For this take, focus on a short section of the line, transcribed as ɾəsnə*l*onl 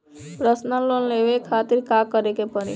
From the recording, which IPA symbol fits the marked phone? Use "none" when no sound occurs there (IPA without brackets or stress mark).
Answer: l